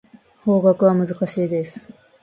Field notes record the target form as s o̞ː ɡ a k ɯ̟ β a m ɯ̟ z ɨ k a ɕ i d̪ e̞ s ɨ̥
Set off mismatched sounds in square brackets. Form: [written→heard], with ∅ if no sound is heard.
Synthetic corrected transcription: [s→h] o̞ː ɡ a k ɯ̟ β a m ɯ̟ z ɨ k a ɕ [i→iː] d̪ e̞ s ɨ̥